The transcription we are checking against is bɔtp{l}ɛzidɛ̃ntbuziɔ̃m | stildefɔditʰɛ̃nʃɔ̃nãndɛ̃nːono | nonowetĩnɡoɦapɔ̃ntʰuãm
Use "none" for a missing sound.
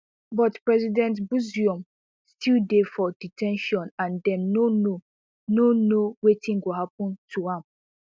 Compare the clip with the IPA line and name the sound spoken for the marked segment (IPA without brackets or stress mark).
ɹ